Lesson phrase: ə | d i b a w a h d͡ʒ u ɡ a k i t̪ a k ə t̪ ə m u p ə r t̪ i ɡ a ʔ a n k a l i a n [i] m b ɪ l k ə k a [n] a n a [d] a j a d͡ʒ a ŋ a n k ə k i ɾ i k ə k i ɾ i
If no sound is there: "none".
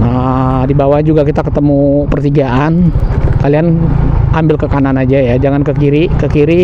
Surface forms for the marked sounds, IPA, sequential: a, n, d͡ʒ

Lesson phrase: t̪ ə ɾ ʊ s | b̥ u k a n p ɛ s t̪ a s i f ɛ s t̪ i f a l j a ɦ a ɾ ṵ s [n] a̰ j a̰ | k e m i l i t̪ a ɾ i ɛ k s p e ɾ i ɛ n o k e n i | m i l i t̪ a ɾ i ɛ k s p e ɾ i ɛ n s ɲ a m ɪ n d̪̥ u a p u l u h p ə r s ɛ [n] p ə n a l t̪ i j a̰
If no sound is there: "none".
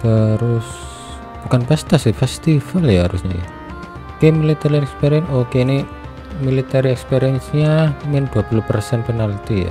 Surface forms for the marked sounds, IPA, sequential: ɲ, n

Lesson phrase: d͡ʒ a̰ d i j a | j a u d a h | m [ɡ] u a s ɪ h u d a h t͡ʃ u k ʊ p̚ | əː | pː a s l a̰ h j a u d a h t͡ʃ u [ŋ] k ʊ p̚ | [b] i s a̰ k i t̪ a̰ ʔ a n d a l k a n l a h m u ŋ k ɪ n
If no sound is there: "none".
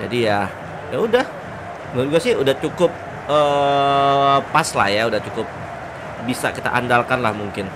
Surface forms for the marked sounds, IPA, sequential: ɡ, none, b

